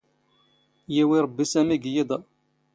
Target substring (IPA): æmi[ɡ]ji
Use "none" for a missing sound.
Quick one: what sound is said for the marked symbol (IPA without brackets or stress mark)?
ɡ